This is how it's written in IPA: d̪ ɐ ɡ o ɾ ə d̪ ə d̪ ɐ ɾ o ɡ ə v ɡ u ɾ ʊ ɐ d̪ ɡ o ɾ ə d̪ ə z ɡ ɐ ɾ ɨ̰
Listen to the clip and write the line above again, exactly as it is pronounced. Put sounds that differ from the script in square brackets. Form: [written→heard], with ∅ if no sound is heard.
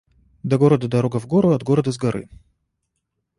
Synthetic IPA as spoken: d̪ ɐ ɡ o ɾ ə d̪ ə d̪ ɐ ɾ o ɡ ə v ɡ [u→o] ɾ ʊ ɐ d̪ ɡ o ɾ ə d̪ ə z ɡ ɐ ɾ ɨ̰